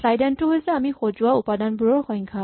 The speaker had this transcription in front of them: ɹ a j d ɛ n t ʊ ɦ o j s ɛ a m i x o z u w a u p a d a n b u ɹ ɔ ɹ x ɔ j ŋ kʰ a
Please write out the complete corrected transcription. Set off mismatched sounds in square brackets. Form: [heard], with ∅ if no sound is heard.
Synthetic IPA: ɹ a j d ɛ n t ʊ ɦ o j s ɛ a m i x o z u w a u p a d a n b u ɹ ɔ ɹ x ɔ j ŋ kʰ a